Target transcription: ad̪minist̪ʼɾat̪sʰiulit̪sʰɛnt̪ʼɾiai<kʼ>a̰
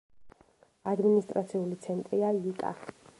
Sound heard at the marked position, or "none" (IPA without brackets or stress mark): kʼ